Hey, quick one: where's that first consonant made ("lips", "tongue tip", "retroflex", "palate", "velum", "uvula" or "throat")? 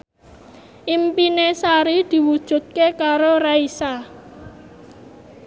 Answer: throat